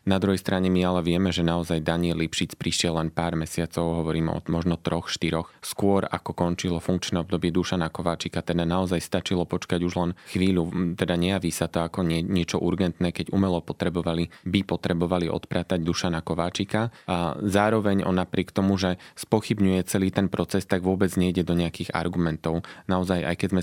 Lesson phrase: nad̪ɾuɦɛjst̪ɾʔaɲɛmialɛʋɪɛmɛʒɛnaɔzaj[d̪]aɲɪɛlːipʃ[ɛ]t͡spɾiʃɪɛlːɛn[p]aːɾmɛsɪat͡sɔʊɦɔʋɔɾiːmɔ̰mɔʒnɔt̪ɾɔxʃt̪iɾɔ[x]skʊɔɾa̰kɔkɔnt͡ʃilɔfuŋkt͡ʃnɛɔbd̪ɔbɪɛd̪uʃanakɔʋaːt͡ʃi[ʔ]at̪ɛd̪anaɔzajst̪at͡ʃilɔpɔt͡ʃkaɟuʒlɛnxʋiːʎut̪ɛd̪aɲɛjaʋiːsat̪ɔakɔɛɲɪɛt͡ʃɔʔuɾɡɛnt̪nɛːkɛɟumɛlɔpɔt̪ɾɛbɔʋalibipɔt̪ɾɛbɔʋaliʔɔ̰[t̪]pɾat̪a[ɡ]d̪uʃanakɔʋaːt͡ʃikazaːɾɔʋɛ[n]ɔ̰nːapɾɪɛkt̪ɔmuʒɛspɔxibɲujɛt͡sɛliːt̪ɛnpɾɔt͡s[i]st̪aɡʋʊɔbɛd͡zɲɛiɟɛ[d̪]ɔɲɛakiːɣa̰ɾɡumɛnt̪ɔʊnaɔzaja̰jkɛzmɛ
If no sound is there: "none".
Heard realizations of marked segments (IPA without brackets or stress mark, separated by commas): d̪, i, p, x, k, t̪, ɟ, ɲ, ɛ, d̪